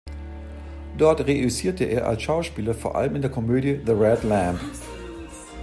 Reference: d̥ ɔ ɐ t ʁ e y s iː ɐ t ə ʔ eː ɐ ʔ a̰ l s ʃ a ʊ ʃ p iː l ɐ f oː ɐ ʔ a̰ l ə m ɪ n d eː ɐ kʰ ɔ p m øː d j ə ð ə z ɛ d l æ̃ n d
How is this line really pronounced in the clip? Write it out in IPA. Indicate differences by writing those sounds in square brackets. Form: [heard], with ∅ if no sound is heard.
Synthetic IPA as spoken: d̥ ɔ ɐ t ʁ e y s iː ɐ t ə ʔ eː ɐ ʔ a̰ l s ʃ a ʊ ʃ p iː l ɐ f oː ɐ ʔ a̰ l ə m ɪ n d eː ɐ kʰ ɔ [∅] m øː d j ə ð ə [ʁ] ɛ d l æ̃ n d